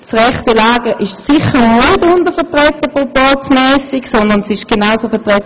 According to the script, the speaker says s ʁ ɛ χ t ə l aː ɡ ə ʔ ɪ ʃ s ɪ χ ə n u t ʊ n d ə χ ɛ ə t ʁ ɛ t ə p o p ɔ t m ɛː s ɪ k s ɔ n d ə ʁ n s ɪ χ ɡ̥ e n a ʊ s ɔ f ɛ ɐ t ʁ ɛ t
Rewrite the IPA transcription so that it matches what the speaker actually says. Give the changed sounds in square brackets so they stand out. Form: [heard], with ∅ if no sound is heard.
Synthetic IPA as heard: s ʁ ɛ χ t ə l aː ɡ ə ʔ ɪ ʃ s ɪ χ ə n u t ʊ n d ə [f] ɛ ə t ʁ ɛ t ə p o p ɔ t m ɛː s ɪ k s ɔ n d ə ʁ n s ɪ [ʃ] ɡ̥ e n a ʊ s [o] f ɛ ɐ t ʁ ɛ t